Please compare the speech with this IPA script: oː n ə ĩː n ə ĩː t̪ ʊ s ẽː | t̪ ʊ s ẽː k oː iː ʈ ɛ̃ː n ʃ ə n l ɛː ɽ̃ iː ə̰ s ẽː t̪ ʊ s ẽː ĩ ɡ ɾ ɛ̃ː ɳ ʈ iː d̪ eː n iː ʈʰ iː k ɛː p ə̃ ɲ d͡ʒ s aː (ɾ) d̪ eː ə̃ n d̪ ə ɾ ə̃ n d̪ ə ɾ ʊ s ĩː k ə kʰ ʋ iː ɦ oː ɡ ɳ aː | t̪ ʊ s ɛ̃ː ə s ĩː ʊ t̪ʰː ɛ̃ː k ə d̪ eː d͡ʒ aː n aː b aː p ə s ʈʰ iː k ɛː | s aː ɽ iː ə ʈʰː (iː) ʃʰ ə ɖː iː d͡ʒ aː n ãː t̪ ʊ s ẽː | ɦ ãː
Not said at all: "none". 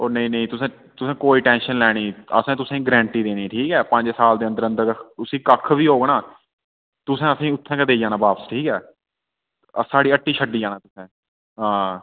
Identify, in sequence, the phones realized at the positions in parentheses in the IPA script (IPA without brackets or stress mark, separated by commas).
l, iː